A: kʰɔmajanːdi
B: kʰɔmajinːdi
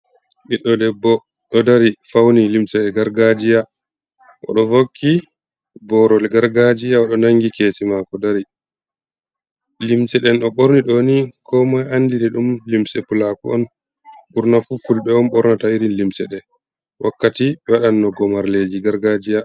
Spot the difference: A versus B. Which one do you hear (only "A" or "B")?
A